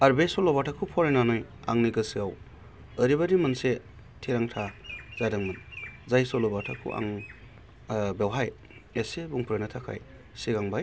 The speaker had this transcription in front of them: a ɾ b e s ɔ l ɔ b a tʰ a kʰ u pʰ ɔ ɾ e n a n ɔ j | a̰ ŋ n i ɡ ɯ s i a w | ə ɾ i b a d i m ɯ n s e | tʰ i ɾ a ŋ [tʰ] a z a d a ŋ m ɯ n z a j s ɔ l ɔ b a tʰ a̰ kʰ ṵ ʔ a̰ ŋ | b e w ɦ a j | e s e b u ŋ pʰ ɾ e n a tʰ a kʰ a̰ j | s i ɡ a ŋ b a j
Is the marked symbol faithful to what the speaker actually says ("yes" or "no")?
yes